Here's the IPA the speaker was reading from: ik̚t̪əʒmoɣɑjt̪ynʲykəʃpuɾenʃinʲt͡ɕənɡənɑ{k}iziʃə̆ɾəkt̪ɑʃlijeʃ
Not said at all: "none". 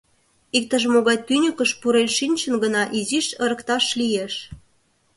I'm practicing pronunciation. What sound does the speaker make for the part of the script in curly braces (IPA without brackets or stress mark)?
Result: ʔ